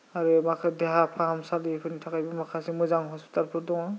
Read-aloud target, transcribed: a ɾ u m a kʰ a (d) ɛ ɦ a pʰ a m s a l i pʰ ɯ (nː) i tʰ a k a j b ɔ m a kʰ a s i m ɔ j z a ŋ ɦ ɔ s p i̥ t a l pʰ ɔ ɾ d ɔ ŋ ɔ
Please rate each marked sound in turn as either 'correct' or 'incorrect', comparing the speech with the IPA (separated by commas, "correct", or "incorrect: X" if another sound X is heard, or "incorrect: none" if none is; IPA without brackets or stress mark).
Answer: correct, incorrect: n